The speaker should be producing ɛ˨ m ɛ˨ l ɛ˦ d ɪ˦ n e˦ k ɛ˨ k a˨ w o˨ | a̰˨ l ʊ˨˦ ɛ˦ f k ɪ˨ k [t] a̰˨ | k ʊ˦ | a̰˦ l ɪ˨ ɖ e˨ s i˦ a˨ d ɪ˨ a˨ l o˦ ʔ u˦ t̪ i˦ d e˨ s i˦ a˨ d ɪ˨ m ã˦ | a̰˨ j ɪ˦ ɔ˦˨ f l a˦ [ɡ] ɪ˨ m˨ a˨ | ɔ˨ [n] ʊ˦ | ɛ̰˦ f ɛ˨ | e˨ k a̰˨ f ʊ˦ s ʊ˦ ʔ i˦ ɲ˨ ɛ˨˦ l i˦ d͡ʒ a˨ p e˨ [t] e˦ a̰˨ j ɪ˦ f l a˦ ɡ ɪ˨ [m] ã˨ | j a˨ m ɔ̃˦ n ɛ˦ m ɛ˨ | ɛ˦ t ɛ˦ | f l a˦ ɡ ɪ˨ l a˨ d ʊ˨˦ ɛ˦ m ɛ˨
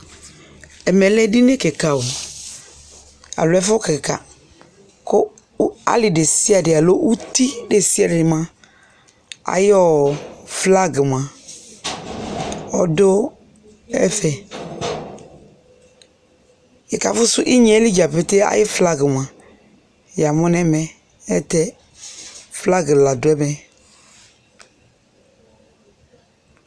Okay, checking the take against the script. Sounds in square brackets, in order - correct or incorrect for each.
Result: incorrect: k, correct, incorrect: d, correct, correct

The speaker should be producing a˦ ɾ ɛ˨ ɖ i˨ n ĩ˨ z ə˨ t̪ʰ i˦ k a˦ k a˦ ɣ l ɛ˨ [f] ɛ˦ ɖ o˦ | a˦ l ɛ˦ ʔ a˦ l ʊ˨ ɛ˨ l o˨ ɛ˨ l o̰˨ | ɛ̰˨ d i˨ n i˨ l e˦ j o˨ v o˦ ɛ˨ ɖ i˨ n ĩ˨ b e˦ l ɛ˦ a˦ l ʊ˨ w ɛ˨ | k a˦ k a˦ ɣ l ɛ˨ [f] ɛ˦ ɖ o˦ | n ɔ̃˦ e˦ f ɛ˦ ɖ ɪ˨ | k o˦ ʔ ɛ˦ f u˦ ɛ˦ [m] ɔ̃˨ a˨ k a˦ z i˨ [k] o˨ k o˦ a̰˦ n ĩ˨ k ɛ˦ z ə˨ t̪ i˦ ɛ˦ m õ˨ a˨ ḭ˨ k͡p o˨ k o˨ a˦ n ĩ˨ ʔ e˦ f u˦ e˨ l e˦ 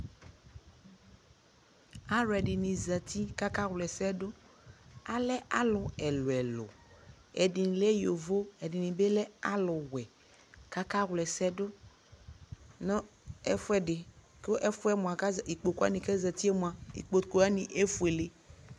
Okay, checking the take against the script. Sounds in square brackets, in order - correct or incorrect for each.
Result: incorrect: s, incorrect: s, correct, incorrect: k͡p

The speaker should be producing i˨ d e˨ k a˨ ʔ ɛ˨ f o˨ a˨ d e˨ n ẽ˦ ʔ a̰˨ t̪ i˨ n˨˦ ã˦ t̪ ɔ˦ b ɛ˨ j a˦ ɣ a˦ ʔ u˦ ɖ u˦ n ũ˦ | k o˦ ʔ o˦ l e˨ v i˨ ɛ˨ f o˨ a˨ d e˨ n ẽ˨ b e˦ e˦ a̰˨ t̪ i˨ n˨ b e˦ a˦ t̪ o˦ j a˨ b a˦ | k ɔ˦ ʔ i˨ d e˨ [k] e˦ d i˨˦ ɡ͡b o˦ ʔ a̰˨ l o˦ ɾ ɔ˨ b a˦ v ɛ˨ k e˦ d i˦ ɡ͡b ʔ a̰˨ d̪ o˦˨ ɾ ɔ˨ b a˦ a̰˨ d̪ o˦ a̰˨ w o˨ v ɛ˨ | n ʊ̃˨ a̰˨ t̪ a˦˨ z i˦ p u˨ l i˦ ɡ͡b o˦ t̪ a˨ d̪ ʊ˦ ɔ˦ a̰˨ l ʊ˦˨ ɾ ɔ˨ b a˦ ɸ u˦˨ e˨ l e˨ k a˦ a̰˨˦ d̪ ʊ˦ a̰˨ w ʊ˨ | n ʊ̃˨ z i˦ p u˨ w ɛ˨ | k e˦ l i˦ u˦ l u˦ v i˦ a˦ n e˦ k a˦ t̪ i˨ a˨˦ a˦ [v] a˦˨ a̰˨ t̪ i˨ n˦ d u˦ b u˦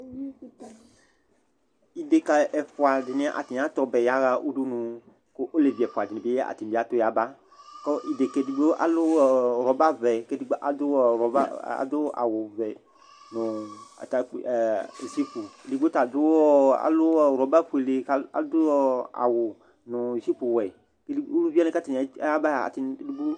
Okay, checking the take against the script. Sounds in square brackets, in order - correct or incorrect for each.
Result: correct, incorrect: b

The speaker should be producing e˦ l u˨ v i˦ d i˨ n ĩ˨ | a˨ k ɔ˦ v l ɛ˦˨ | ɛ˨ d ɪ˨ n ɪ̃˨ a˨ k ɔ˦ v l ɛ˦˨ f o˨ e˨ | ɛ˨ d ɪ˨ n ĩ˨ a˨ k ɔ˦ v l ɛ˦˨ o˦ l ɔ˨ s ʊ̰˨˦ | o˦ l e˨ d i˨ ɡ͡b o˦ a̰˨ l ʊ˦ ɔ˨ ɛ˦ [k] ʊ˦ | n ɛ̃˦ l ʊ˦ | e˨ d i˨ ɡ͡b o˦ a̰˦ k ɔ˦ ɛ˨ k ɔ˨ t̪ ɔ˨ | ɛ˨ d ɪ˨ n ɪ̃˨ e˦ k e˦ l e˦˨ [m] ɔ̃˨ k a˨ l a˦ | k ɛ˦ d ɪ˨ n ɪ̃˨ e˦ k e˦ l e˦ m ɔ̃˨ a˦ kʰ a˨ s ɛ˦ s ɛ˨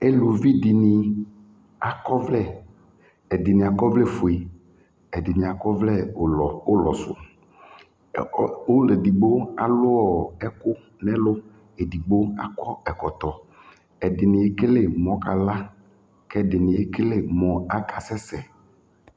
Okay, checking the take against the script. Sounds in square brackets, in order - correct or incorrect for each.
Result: correct, correct

